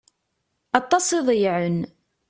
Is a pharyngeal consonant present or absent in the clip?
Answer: present